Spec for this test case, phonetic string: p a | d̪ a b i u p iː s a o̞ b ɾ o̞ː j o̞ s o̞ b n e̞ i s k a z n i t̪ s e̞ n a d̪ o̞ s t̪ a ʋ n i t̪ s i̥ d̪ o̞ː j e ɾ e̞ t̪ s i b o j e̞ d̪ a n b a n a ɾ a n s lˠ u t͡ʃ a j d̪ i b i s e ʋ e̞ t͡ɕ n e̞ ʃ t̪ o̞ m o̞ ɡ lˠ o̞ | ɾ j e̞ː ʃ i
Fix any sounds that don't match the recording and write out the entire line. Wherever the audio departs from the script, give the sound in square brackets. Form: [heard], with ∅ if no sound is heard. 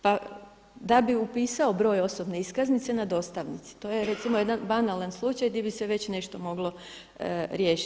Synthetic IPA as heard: p a | d̪ a b i u p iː s a o̞ b ɾ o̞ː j o̞ s o̞ b n e̞ i s k a z n i t̪ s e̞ n a d̪ o̞ s t̪ a ʋ n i t̪ s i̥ [t̪] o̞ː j e ɾ e̞ t̪ s i [m] o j e̞ d̪ a n b a n a [l] a n s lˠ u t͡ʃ a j d̪ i b i s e ʋ e̞ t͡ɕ n e̞ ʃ t̪ o̞ m o̞ ɡ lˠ o̞ | ɾ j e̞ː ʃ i